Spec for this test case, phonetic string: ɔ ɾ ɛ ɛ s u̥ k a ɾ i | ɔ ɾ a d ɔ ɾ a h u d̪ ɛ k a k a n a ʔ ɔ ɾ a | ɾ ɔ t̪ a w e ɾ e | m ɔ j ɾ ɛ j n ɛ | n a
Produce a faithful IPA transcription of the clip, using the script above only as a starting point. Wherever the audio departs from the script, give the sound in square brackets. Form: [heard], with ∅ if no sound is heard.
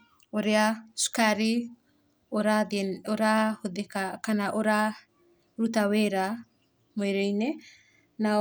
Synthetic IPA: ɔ ɾ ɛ [a] s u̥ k a ɾ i | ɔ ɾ a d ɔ ɾ a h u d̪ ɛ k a k a n a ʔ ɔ ɾ a | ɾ [u] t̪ a w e ɾ [a] | m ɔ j ɾ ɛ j n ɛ | n a